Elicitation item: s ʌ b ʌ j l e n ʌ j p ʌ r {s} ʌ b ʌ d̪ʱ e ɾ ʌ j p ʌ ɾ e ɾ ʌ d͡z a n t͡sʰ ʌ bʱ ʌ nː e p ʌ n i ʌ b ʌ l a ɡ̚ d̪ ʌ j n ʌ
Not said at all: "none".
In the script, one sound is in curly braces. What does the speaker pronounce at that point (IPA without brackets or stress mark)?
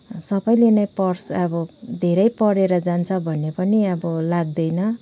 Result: s